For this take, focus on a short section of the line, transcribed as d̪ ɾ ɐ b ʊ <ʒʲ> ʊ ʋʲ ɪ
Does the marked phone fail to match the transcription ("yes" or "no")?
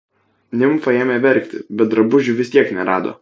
no